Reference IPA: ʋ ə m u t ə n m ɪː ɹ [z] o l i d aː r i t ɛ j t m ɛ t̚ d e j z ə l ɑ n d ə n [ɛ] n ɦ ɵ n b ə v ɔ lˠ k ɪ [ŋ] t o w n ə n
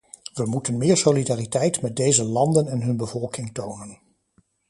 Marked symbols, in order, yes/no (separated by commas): no, yes, yes